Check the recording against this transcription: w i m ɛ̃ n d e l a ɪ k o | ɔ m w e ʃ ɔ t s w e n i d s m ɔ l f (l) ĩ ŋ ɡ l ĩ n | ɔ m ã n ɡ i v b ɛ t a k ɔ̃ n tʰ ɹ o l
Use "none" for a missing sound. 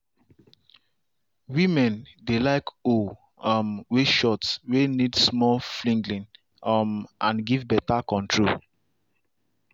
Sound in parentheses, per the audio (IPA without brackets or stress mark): l